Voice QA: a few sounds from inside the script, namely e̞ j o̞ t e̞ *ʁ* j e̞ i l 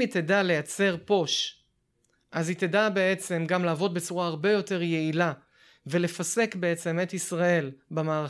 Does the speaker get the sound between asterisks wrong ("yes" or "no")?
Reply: no